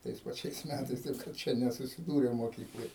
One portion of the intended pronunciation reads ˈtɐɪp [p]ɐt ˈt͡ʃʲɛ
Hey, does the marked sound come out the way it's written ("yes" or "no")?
no